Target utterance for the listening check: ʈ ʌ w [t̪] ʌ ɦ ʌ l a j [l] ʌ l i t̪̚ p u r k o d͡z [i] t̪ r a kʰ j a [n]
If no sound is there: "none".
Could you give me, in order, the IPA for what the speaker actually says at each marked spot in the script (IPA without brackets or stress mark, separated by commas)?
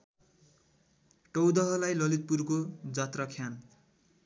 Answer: d̪, l, a, n